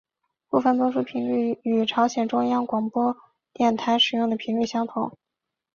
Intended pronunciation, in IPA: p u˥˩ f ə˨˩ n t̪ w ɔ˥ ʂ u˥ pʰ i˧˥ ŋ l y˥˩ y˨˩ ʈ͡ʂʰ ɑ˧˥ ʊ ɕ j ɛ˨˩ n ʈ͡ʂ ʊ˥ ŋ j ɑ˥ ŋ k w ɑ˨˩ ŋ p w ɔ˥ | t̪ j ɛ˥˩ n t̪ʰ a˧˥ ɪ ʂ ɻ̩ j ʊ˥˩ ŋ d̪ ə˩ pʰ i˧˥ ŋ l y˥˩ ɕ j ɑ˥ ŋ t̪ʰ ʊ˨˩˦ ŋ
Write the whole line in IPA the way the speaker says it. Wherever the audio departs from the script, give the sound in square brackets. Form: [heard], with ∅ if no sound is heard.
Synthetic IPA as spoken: p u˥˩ f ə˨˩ n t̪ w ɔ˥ ʂ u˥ pʰ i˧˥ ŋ l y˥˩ y˨˩ ʈ͡ʂʰ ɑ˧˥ ʊ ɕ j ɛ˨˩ n ʈ͡ʂ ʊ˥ ŋ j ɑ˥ ŋ k w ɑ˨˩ ŋ p w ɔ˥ | t̪ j ɛ˥˩ n t̪ʰ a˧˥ ɪ ʂ ɻ̩ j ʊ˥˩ ŋ d̪ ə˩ pʰ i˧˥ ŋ l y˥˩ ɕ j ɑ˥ ŋ t̪ʰ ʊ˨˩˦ ŋ